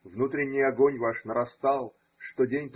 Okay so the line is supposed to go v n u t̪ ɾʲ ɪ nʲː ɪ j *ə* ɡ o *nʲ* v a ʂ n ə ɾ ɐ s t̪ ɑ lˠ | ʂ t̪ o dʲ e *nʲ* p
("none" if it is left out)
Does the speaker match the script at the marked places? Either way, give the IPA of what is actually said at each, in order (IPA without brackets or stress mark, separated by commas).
ɐ, nʲ, nʲ